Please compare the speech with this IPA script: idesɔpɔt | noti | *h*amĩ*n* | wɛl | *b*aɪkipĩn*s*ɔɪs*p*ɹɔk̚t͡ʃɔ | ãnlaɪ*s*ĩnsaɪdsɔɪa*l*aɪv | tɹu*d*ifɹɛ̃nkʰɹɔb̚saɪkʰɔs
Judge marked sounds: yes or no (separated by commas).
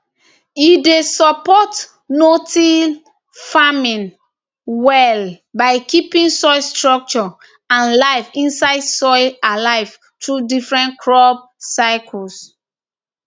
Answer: no, yes, yes, yes, no, no, yes, yes